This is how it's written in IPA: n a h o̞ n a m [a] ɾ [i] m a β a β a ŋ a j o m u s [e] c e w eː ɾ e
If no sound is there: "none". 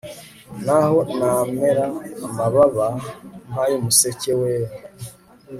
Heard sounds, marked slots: e, a, e

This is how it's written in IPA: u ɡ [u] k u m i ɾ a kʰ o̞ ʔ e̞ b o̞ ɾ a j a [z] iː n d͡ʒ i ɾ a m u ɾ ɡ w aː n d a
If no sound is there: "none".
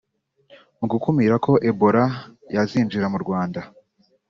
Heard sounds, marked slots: u, z

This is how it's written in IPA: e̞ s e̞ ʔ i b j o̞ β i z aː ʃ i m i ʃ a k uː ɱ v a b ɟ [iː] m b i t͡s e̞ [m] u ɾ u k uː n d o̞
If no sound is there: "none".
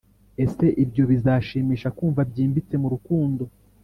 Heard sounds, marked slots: iː, m

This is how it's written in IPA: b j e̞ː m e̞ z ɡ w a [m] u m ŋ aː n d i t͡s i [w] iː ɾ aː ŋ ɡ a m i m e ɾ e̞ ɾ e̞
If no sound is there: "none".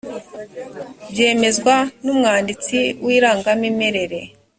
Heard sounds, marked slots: n, w

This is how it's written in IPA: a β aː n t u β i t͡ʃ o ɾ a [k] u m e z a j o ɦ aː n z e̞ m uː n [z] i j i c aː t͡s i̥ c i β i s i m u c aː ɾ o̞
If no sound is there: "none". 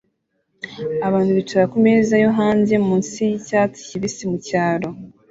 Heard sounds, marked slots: k, s

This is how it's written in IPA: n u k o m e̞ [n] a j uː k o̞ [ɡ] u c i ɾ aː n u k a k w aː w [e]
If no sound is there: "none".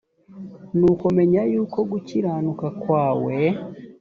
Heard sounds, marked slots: ɲ, ɡ, e

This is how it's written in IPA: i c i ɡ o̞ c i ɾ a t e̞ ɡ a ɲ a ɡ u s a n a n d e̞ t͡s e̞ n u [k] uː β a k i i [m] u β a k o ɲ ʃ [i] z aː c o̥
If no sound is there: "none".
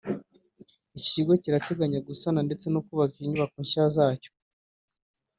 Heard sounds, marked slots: k, ɲ, a

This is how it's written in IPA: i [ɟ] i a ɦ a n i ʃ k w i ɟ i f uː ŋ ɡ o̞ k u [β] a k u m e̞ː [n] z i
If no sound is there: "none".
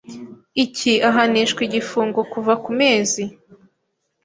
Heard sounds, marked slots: c, v, none

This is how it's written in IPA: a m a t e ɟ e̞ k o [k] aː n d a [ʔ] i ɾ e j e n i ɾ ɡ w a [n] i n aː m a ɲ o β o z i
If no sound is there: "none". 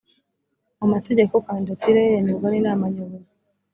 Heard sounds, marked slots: k, t, n

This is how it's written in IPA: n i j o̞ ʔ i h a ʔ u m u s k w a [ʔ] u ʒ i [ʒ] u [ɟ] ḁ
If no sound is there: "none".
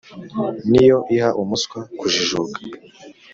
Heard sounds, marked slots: k, ʒ, ɡ

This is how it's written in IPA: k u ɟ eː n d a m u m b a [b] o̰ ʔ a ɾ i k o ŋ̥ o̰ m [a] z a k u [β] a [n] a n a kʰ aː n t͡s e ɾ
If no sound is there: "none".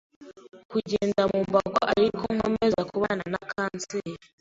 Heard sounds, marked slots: ɡ, e, β, n

